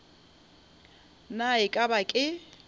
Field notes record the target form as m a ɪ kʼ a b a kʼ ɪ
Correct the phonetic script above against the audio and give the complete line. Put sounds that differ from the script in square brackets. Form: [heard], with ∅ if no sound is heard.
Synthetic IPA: [n] a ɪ kʼ a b a kʼ ɪ